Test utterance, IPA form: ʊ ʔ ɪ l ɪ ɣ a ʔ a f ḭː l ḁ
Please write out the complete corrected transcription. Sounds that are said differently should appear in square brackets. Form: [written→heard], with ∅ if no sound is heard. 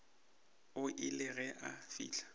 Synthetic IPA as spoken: ʊ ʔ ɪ l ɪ ɣ [a→ɛ] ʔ a f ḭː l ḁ